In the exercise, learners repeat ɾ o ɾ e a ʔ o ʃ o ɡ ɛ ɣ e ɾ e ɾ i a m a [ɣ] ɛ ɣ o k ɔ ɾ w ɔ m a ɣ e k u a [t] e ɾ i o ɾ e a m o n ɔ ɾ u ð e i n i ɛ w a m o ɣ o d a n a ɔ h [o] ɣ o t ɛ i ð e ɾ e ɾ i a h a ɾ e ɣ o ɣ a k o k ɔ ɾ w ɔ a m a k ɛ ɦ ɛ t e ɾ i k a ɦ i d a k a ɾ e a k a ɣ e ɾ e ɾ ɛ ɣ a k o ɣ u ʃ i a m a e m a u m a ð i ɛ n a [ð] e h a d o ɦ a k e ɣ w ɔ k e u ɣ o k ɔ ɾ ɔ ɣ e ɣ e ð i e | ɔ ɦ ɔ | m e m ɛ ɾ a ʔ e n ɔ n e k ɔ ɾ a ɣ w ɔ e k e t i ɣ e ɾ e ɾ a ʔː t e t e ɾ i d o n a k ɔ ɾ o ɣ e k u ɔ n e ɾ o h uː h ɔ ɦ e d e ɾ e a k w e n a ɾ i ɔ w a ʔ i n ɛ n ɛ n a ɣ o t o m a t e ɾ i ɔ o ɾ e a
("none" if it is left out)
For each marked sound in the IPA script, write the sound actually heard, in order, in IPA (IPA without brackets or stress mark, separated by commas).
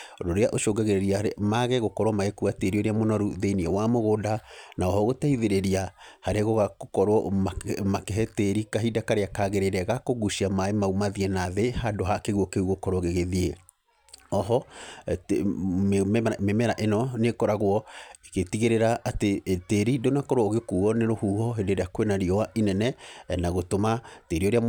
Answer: ɣ, t, ɔ, ð